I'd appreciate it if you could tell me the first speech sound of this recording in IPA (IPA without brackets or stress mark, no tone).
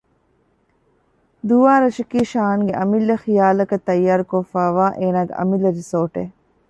d̪